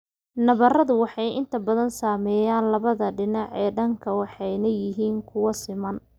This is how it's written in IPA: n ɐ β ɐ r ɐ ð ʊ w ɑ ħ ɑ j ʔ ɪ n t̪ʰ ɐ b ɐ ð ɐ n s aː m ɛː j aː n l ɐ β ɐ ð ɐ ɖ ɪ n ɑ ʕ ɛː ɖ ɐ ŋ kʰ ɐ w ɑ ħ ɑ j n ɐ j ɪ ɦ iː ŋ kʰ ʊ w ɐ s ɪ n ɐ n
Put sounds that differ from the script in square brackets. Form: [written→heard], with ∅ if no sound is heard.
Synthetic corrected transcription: n ɐ β ɐ r ɐ ð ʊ w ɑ ħ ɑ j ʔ ɪ n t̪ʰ ɐ b ɐ ð ɐ n s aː m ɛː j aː n l ɐ β ɐ ð ɐ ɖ ɪ n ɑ ʕ ɛː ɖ ɐ ŋ kʰ ɐ w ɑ ħ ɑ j n ɐ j ɪ ɦ iː ŋ kʰ ʊ w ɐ s ɪ [n→m] ɐ n